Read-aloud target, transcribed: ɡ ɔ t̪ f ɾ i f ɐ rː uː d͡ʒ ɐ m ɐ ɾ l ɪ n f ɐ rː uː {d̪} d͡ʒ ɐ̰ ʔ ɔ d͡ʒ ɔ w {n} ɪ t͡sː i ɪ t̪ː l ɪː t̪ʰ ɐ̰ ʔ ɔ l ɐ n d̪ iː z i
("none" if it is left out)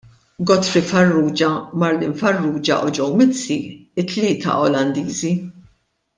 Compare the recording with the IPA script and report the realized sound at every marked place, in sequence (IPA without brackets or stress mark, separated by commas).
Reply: none, m